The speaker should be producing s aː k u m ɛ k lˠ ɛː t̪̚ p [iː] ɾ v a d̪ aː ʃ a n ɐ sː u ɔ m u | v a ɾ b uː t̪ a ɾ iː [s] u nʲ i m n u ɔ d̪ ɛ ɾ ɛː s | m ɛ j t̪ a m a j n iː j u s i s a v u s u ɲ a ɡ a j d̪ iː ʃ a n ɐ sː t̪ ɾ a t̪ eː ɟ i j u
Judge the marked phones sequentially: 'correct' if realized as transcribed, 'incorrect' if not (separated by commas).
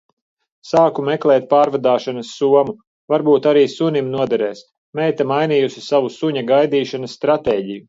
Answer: incorrect, correct